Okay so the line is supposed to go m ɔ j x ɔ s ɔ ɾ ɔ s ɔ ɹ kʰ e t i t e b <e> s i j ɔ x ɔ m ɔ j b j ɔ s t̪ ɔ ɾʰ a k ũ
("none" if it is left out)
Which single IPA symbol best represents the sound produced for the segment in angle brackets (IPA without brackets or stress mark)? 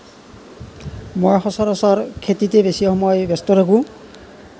e